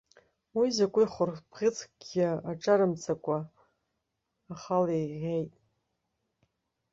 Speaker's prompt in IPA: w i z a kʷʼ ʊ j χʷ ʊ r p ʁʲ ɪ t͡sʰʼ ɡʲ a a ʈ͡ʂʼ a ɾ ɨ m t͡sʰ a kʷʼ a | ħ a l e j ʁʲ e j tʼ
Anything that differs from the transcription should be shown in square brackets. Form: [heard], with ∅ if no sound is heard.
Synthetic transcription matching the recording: w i z a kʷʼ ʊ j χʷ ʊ r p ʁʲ ɪ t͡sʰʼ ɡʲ a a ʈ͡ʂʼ a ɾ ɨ m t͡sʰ a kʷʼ a | [χ] a l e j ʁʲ e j tʼ